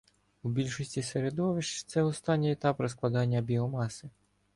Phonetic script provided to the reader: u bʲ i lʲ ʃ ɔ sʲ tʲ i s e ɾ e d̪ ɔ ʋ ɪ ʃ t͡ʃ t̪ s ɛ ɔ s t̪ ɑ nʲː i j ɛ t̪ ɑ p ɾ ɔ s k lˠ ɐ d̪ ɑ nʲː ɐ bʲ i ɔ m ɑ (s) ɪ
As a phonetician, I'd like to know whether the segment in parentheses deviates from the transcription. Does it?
no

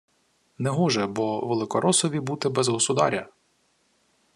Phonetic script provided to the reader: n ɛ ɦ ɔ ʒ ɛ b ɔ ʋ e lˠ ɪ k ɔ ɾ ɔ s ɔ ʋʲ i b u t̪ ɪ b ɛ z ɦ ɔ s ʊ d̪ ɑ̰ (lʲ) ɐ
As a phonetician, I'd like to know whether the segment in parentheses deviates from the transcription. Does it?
yes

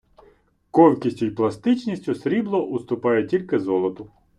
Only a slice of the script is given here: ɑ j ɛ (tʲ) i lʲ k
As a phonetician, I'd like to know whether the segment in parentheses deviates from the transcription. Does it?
no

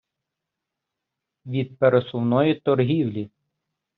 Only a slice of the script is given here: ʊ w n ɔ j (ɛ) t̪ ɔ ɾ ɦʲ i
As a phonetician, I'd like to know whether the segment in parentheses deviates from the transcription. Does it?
yes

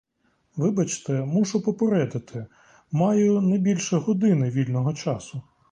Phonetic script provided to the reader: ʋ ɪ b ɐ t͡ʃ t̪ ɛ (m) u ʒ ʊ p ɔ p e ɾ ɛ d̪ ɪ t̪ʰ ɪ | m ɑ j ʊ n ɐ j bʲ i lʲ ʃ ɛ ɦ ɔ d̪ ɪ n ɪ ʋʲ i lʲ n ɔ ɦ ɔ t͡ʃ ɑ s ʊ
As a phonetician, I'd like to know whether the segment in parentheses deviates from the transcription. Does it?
no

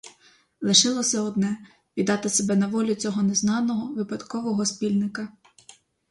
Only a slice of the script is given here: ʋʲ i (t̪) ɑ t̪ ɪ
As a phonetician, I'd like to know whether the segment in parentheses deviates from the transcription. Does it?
yes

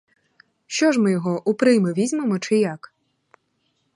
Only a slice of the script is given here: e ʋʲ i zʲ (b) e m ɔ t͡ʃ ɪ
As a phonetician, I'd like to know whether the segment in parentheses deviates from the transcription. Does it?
yes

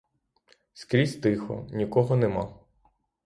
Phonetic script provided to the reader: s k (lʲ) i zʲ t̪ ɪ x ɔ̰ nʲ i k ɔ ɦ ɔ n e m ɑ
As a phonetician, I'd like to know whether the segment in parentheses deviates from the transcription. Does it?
yes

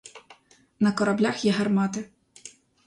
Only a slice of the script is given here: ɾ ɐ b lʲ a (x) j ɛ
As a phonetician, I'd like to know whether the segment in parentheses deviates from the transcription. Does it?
no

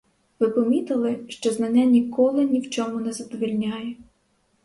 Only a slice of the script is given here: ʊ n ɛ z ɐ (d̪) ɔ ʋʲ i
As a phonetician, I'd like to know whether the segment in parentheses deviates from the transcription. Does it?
no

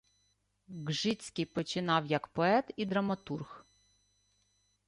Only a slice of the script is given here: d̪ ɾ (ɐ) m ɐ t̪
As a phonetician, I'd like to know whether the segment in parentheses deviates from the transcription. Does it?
no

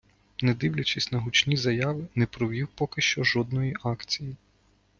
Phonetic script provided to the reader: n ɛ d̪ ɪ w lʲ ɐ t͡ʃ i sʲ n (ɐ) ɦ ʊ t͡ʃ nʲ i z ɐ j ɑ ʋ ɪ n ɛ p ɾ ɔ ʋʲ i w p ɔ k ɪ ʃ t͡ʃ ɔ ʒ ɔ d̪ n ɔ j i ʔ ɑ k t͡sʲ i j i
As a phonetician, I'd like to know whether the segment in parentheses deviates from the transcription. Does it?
no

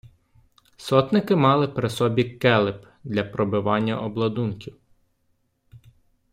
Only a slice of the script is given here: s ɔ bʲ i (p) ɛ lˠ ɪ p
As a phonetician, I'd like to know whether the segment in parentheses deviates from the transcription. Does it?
yes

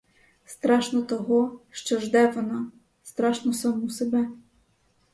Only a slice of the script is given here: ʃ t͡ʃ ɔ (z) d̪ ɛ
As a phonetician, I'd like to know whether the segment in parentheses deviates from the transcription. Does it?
yes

